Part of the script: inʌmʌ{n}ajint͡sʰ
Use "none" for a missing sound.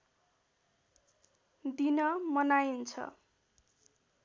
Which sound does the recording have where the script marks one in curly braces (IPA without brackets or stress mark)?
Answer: n